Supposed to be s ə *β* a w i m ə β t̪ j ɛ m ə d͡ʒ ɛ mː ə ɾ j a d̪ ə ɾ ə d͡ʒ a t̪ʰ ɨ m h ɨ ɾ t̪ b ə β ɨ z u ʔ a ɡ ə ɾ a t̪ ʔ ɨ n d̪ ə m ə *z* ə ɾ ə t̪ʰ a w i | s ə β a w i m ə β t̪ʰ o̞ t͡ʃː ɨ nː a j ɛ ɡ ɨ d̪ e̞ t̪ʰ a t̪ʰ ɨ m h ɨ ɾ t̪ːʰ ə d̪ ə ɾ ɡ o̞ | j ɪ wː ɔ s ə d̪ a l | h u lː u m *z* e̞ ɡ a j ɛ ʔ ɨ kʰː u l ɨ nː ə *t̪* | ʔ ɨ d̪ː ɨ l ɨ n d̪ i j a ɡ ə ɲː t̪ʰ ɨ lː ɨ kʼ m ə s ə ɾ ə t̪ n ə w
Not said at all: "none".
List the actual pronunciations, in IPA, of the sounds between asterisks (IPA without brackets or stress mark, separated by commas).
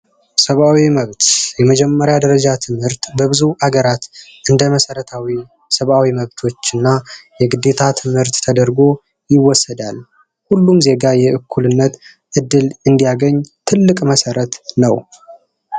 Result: β, s, z, t̪